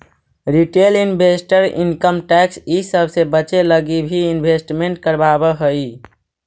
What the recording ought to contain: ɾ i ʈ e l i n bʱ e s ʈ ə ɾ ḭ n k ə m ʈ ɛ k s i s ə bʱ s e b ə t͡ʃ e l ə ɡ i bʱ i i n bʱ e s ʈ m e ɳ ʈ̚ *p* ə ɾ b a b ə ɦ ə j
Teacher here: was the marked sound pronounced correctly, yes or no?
no